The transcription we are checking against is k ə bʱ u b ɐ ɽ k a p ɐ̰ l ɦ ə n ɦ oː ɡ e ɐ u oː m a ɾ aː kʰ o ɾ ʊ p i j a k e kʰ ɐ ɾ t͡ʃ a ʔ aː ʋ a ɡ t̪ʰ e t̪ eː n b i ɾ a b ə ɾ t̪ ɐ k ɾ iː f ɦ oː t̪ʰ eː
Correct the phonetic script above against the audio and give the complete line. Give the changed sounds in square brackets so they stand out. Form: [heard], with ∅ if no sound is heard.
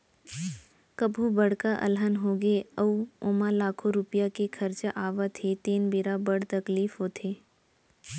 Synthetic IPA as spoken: k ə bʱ u b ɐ ɽ k a [ʔ] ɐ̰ l ɦ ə n ɦ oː ɡ e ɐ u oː m a [l] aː kʰ o ɾ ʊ p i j a k e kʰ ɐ ɾ t͡ʃ a ʔ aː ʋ a [∅] t̪ʰ e t̪ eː n b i ɾ a b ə [ɽ] t̪ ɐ k [l] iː f ɦ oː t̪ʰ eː